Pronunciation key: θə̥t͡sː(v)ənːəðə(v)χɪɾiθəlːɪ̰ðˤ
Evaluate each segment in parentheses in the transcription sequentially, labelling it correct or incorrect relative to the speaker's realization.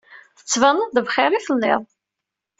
correct, correct

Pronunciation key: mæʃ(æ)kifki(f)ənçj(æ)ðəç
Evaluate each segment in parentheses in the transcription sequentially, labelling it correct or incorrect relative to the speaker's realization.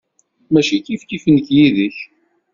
incorrect: i, correct, incorrect: i

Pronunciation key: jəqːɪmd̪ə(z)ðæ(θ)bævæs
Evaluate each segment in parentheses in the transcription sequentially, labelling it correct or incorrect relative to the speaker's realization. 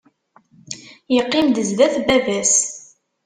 correct, correct

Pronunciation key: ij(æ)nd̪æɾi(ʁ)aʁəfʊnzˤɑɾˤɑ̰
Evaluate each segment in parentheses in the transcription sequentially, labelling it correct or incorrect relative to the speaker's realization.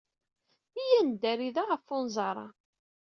correct, incorrect: ð

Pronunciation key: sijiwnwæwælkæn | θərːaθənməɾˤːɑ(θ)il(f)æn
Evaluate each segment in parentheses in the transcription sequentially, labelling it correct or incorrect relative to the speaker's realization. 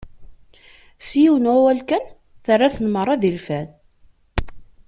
incorrect: ð, correct

